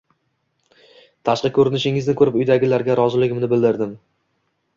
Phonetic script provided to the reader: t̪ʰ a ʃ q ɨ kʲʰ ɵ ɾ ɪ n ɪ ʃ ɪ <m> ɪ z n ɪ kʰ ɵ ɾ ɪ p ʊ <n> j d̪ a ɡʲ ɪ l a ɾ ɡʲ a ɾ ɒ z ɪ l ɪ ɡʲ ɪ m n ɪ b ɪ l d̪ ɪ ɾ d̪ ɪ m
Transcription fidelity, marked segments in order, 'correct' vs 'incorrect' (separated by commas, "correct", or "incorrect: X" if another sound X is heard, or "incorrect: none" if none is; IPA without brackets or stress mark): incorrect: ŋ, incorrect: none